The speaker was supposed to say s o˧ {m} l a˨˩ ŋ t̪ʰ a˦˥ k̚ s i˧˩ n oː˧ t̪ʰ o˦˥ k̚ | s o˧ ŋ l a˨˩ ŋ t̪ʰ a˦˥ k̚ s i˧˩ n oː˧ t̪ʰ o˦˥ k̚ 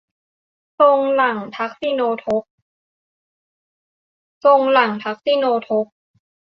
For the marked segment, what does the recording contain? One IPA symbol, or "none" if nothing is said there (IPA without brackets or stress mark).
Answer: ŋ